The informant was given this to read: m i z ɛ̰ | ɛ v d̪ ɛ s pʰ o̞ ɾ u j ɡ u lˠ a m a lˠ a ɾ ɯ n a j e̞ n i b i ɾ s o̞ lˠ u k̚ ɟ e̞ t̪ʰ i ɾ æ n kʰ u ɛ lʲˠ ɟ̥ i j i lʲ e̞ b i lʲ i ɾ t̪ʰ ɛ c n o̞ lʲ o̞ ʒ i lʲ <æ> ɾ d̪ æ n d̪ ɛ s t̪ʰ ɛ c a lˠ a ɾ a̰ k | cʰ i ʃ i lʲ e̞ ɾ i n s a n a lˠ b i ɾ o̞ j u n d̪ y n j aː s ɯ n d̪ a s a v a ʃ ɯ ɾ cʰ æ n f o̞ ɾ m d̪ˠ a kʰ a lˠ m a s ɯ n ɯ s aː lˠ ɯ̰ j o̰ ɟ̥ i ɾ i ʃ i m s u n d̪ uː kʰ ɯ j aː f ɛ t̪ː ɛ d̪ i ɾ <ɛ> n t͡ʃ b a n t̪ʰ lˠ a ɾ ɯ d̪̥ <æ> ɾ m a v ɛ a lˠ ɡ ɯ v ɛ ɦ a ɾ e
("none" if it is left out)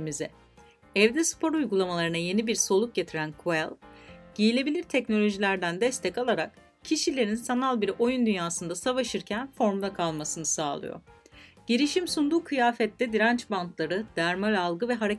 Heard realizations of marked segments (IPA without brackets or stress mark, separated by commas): æ, a, æ